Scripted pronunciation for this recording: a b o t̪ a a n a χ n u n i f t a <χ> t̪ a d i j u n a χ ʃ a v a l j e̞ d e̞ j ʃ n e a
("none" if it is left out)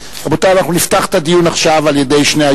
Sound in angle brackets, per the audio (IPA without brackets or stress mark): χ